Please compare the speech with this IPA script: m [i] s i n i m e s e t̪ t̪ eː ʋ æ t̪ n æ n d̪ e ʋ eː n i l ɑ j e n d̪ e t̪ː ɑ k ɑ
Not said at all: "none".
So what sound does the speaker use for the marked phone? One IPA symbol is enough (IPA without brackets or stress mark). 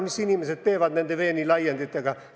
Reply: i